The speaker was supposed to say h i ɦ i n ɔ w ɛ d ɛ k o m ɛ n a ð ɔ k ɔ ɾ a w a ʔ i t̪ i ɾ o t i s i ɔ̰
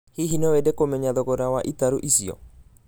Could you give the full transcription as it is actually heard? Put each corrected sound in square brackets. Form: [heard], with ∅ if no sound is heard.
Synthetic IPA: h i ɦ i n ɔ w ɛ d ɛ k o m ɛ [ɲ] a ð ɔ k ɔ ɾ a w a ʔ i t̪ [a] ɾ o [ʔ] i s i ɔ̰